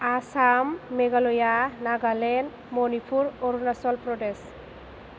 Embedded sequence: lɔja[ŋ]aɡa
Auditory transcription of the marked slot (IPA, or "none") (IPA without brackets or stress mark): n